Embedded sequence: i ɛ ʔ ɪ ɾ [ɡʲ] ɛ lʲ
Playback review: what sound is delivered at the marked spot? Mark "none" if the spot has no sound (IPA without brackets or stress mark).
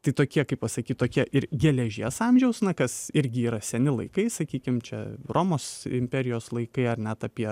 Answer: ɡʲ